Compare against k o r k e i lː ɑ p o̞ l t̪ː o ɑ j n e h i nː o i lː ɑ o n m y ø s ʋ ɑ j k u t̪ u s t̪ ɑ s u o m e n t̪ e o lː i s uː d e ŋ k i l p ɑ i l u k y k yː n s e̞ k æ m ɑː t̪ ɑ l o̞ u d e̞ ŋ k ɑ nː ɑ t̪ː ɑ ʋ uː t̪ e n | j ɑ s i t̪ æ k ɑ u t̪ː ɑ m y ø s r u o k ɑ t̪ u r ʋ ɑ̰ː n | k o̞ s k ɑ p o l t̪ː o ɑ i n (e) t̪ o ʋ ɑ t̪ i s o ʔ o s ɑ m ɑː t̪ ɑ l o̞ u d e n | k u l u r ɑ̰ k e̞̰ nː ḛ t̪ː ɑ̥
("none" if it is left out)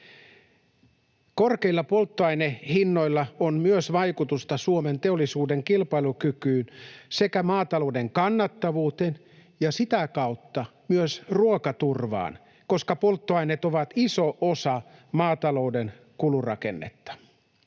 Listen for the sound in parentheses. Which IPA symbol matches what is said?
e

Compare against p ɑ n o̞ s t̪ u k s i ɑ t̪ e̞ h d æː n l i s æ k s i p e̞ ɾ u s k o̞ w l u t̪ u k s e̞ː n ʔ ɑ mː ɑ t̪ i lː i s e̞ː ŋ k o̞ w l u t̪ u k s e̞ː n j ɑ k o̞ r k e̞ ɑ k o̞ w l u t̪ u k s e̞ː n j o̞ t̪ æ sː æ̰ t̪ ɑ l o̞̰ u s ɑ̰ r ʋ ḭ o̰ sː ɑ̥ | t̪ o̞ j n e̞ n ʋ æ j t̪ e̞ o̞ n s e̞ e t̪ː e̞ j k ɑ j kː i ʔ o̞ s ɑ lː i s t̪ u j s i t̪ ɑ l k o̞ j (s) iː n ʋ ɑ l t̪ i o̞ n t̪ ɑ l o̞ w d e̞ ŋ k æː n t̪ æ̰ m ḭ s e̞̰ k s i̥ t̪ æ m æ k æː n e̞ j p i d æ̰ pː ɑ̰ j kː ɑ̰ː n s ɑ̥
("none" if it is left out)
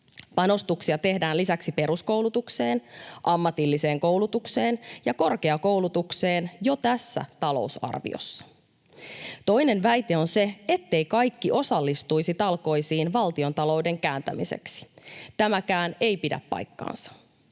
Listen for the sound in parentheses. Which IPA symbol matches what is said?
s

